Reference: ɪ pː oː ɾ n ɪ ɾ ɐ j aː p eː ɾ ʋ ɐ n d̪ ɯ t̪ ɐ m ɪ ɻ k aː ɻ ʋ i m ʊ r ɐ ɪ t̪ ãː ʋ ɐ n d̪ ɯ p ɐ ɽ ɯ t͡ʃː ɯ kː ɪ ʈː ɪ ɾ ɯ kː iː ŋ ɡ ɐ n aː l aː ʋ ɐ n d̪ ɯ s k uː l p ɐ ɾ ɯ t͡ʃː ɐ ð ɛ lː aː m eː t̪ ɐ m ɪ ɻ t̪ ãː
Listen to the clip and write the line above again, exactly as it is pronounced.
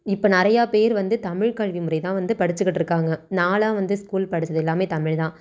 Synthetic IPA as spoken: ɪ pː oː n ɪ ɾ ɐ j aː p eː ɾ ʋ ɐ n d̪ ɯ t̪ ɐ m ɪ ɻ k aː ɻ ʋ i m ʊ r ɐ ɪ t̪ ãː ʋ ɐ n d̪ ɯ p ɐ ɽ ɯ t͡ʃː ɯ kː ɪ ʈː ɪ ɾ ɯ kː aː ŋ ɡ ɐ n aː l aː ʋ ɐ n d̪ ɯ s k uː l p ɐ ɽ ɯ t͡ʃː ɐ ð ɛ lː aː m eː t̪ ɐ m ɪ ɻ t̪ ãː